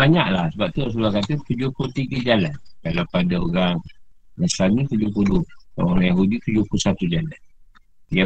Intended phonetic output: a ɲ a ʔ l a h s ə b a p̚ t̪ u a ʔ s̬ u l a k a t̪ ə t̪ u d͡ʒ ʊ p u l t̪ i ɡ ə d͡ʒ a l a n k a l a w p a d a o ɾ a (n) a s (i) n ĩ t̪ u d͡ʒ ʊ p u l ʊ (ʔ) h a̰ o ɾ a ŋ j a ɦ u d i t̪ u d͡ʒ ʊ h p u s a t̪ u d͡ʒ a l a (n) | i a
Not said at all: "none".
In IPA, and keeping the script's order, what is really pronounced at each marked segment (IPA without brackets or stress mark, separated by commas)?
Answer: ŋ, a, none, n